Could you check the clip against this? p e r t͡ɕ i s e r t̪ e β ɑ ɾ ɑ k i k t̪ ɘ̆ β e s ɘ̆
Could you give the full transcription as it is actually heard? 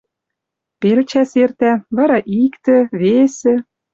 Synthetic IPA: p e l t͡ɕ æ s e r t̪ æ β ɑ ɾ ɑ ʔ i k t̪ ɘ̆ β e s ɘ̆